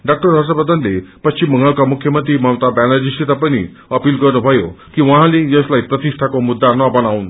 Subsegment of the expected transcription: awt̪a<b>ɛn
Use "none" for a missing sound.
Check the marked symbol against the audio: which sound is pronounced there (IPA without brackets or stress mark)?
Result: b